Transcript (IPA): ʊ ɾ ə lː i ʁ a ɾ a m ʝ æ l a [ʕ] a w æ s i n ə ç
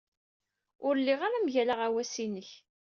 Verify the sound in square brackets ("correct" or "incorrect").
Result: incorrect